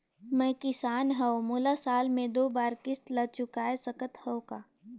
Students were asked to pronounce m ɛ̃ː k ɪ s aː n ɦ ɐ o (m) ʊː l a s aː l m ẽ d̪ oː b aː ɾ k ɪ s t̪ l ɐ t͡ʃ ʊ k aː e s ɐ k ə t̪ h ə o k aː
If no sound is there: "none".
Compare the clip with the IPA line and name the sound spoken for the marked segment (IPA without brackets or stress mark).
m